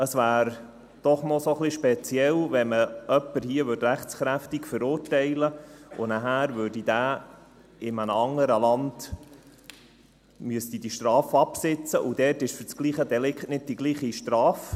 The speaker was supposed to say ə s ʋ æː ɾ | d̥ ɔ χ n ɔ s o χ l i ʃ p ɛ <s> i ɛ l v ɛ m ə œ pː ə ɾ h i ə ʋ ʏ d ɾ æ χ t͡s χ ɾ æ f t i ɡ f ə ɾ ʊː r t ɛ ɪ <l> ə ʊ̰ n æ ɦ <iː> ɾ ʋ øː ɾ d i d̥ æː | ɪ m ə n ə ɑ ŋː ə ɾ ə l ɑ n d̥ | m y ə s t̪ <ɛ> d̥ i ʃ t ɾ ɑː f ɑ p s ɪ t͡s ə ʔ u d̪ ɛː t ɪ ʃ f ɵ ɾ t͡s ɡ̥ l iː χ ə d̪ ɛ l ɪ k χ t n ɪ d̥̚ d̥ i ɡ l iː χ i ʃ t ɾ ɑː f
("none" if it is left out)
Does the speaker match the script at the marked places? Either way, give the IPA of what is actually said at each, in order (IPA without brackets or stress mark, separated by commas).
t͡s, l, æː, i